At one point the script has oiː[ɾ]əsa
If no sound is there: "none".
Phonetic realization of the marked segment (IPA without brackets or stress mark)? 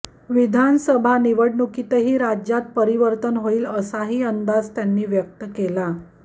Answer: l